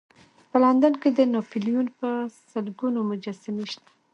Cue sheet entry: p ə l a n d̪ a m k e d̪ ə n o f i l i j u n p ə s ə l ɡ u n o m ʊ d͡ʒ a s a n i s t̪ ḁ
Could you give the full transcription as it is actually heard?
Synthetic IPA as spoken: p ə l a n d̪ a n k e d̪ ə n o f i l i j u n p ə s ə l ɡ u n o m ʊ d͡ʒ a s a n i ʃ t̪ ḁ